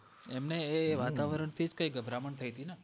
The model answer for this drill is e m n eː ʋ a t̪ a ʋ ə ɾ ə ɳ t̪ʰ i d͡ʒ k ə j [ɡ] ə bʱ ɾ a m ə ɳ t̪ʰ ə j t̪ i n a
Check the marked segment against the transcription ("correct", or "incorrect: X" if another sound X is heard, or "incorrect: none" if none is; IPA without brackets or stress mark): correct